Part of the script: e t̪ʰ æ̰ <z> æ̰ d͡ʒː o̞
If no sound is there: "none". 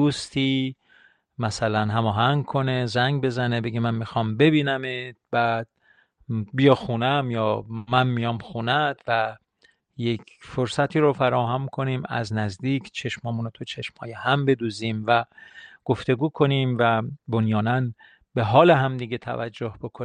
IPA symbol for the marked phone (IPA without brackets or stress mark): v